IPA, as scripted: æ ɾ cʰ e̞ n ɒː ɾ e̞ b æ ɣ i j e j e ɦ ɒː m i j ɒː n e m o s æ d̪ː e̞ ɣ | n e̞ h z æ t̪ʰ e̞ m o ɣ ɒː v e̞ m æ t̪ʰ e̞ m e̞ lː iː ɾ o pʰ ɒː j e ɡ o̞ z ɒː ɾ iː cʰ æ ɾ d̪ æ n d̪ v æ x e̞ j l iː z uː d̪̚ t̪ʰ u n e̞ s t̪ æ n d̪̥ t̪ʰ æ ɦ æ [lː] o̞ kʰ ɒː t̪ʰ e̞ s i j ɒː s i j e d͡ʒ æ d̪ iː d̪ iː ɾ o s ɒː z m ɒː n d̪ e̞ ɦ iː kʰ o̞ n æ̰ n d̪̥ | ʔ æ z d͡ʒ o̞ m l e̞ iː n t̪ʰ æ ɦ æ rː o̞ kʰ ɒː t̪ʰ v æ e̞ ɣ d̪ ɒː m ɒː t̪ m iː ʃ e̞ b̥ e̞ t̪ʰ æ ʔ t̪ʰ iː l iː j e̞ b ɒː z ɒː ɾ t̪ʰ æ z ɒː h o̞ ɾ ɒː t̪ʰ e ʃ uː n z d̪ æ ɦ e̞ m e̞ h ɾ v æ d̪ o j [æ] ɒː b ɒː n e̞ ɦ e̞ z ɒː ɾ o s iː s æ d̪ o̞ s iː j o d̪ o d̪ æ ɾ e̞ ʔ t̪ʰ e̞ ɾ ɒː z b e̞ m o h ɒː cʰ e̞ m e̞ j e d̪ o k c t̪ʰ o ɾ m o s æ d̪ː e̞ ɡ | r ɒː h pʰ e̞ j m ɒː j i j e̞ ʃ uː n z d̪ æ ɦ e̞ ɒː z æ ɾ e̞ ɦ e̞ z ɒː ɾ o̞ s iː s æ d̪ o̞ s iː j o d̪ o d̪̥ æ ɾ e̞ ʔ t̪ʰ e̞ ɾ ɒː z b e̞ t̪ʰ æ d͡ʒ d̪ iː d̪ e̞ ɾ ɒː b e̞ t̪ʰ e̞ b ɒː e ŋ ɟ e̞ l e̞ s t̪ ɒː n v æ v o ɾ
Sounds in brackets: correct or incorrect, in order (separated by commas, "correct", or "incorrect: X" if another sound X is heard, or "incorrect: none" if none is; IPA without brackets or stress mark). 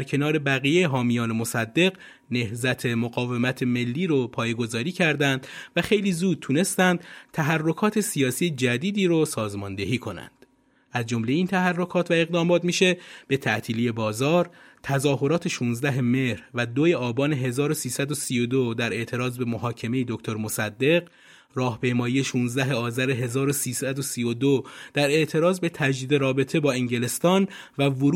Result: incorrect: rː, incorrect: e